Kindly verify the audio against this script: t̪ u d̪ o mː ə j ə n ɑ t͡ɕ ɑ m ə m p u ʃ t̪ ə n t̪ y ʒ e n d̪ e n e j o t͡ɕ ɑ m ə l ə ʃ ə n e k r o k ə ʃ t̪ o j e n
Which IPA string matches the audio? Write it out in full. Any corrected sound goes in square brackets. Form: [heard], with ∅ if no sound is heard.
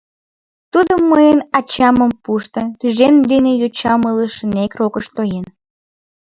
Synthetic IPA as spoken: t̪ u d̪ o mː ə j ə n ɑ t͡ɕ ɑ m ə m p u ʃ t̪ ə n t̪ y ʒ e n d̪ e n e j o t͡ɕ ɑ m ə l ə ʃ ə n e k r o k ə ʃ t̪ o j e n